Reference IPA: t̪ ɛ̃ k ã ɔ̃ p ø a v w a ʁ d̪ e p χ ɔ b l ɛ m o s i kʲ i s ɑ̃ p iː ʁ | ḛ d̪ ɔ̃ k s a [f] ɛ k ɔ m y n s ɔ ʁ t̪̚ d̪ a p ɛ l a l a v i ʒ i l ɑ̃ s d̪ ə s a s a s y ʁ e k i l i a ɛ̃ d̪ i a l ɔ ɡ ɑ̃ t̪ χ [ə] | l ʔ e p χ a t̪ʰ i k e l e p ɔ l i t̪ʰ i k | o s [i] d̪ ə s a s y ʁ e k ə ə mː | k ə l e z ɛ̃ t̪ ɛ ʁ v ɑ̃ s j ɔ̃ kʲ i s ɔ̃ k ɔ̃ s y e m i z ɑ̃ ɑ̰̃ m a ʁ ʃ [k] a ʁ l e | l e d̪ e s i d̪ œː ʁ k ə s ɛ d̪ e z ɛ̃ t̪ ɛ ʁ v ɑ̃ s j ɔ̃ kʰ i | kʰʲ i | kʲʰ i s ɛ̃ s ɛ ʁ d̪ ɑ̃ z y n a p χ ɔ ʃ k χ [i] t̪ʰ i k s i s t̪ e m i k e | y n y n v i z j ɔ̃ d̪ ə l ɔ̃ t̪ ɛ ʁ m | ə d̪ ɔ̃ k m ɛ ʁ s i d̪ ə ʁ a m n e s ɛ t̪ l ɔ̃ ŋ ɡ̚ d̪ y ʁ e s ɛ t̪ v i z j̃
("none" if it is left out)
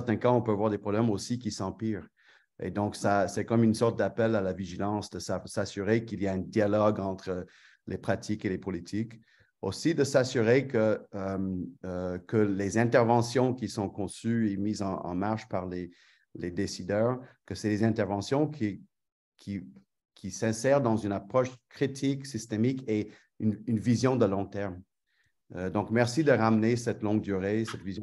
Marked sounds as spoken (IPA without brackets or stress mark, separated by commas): s, ə, i, p, i